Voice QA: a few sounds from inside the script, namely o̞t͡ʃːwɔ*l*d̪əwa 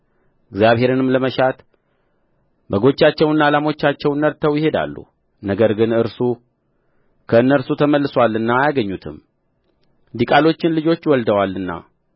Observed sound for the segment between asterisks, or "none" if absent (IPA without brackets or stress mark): l